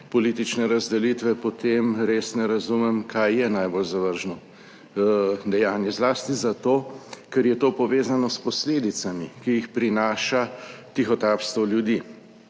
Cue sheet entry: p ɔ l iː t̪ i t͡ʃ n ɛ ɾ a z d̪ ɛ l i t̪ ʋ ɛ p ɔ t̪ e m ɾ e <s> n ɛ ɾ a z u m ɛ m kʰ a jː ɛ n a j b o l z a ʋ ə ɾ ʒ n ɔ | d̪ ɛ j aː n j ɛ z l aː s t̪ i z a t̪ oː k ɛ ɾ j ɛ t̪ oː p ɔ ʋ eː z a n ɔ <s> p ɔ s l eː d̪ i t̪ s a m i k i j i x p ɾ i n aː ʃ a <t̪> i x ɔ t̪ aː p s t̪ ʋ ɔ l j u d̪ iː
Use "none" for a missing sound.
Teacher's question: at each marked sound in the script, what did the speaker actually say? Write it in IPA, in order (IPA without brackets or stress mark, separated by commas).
s, s, t̪